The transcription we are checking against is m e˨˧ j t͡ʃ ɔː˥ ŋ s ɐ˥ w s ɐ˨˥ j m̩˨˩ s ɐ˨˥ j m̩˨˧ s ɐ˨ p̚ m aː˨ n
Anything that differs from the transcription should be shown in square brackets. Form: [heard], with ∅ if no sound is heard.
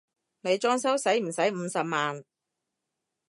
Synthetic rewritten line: [n] e˨˧ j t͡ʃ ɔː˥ ŋ s ɐ˥ w s ɐ˨˥ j m̩˨˩ s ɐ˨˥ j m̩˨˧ s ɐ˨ p̚ m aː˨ n